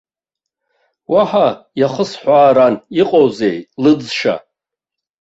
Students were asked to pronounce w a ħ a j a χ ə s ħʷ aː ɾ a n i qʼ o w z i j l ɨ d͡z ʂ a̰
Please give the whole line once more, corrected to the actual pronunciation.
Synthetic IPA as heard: w a ħ a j a χ ə s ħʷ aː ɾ a n i qʼ o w z e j l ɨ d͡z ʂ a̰